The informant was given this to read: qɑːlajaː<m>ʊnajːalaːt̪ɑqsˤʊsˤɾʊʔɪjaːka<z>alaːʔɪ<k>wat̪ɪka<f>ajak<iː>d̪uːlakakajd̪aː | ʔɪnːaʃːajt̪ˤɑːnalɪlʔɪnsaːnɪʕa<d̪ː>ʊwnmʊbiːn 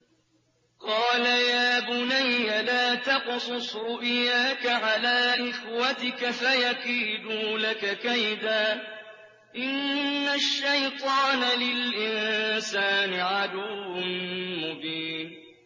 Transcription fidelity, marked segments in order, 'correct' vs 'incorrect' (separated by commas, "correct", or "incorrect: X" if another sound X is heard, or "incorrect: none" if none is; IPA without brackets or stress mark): incorrect: b, incorrect: ʕ, incorrect: x, correct, correct, incorrect: d̪